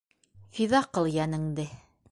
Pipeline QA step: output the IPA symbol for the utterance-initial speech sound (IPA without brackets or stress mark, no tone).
f